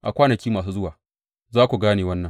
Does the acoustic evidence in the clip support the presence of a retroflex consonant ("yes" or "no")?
no